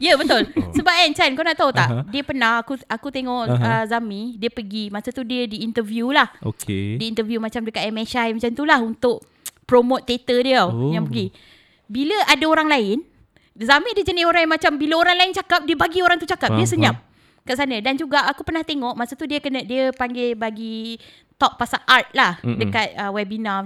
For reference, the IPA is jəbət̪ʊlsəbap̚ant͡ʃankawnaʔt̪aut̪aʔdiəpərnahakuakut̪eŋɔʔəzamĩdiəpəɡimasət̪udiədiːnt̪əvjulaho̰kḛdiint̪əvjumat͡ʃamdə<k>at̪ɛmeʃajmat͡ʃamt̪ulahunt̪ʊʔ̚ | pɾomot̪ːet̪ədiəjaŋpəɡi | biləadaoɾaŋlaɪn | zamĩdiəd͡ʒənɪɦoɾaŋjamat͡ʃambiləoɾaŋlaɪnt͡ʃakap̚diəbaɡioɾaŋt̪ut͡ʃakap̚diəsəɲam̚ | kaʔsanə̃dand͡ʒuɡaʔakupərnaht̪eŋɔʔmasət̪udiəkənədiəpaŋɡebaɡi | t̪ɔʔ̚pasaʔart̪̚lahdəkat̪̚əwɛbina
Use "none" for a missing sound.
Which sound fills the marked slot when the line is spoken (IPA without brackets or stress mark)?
k